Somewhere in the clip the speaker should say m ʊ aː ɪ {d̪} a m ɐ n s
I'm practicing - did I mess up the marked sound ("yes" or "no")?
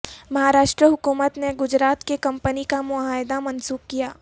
no